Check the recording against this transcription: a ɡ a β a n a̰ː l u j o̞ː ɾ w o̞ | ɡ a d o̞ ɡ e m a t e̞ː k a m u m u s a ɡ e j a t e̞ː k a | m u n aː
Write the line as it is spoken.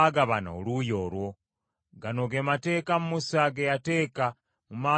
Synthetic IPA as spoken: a ɡ a β a n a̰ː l u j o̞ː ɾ w o̞ | ɡ a n o̞ ɡ e m a t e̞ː k a m u m u s a ɡ e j a t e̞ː k a | m u m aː